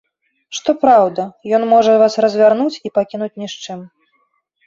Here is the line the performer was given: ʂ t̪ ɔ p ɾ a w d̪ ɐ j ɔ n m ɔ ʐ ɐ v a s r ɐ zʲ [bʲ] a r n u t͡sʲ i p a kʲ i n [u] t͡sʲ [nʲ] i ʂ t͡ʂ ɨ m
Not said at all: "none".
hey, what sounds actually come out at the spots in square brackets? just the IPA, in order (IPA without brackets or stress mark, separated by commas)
vʲ, u, nʲ